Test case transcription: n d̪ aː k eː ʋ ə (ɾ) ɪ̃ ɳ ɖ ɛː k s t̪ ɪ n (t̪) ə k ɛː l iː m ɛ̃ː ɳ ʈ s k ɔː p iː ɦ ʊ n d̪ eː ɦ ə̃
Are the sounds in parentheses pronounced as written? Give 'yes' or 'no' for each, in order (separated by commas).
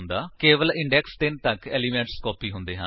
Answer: no, yes